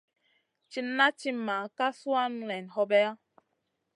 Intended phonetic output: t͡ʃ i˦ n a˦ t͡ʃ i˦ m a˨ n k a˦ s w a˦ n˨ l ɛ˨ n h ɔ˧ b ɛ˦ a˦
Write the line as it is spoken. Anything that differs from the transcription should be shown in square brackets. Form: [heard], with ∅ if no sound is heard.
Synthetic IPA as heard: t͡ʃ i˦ n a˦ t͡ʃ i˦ m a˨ [∅] k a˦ s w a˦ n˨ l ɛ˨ n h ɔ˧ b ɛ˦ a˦